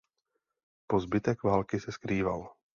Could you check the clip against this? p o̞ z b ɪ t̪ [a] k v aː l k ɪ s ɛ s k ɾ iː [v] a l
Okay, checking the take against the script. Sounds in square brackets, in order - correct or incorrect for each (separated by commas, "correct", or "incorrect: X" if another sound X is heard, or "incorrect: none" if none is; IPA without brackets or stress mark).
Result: incorrect: ɛ, correct